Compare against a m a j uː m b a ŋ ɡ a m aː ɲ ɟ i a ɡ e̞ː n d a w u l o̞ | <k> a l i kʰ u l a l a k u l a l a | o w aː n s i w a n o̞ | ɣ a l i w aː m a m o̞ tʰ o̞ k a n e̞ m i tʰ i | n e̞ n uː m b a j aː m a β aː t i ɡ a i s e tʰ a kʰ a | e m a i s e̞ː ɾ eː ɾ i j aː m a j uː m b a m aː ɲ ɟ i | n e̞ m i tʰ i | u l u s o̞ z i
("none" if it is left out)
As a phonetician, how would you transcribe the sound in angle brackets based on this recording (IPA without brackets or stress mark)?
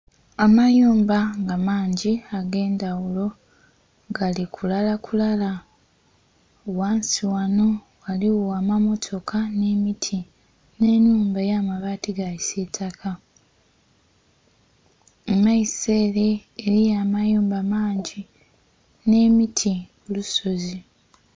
ɡ